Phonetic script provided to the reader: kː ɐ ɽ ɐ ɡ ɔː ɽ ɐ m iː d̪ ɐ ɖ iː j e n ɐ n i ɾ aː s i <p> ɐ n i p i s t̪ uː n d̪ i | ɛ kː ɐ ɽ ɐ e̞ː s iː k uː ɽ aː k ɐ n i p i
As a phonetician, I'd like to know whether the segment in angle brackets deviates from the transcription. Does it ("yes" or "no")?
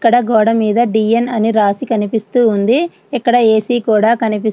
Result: yes